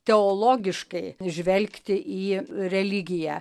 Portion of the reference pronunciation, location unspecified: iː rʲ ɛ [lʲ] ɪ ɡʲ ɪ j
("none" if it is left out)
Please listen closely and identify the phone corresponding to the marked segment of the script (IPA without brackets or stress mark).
lʲ